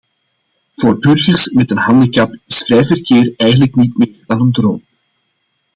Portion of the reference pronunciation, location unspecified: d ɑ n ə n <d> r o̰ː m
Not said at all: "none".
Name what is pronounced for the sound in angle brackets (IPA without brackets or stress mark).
d